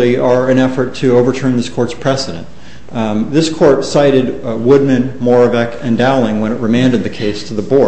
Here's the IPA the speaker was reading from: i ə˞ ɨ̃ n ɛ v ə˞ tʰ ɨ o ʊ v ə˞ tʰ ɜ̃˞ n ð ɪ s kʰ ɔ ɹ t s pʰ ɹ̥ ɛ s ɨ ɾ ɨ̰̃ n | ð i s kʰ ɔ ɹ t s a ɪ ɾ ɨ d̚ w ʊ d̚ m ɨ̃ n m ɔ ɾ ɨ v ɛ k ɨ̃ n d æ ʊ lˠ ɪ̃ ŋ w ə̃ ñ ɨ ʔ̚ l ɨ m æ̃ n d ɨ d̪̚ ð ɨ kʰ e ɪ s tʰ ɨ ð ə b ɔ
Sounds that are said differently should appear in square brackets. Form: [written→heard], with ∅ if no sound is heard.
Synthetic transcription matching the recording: i ə˞ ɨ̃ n ɛ [v→f] ə˞ tʰ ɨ o ʊ v ə˞ tʰ ɜ̃˞ n ð ɪ s kʰ ɔ ɹ t s pʰ ɹ̥ ɛ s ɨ ɾ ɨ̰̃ n | ð [i→ɪ] s kʰ ɔ ɹ t s a ɪ ɾ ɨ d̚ w ʊ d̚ m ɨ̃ n m ɔ [ɾ→ɹ] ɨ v ɛ k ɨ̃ n d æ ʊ lˠ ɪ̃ ŋ w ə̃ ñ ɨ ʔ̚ [l→ɹ] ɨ m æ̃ n d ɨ d̪̚ ð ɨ kʰ e ɪ s tʰ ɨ ð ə b ɔ